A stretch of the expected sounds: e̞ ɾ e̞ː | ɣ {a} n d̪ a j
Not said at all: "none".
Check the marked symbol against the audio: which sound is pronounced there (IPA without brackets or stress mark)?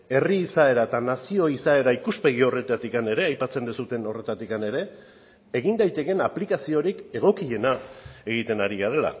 i